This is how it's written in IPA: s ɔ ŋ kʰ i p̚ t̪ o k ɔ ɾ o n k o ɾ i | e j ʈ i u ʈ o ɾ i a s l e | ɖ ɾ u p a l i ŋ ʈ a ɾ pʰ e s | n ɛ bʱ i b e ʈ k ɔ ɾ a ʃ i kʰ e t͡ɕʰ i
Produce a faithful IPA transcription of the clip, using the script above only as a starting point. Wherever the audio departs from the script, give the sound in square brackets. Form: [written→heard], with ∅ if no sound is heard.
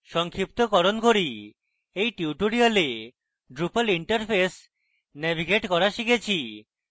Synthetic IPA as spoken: [s→ʃ] ɔ ŋ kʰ i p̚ t̪ o k ɔ ɾ o n k o ɾ i | e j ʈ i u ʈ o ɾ i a [s→∅] l e | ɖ ɾ u p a l i [ŋ→ɳ] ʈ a ɾ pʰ e s | n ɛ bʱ i [b→ɡ] e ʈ k ɔ ɾ a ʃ i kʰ e t͡ɕʰ i